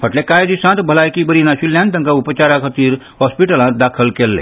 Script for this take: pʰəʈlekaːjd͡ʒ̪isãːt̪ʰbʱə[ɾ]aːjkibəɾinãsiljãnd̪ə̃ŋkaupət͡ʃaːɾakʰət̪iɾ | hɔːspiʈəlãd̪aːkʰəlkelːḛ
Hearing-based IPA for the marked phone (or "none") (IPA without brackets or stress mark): l